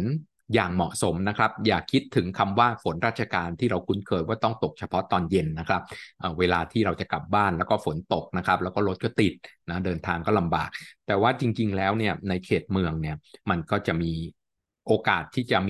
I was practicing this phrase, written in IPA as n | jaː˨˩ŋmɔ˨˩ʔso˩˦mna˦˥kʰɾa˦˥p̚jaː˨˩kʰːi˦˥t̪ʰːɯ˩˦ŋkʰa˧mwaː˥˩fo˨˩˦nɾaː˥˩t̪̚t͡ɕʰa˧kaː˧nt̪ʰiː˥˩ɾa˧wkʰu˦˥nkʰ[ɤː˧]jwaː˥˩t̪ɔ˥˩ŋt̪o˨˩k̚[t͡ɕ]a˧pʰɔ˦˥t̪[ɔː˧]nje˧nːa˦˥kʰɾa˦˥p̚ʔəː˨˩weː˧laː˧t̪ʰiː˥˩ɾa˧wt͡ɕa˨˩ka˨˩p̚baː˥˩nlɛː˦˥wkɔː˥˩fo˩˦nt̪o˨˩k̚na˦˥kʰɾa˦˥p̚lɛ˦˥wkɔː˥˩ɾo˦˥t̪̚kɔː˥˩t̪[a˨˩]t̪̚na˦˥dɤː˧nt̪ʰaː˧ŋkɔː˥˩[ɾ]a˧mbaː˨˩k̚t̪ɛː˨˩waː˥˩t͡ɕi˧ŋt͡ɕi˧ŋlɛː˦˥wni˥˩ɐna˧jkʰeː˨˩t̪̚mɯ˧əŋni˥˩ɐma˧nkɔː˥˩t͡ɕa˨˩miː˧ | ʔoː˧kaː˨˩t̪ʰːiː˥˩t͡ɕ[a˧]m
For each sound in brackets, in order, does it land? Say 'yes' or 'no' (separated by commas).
yes, no, yes, no, no, no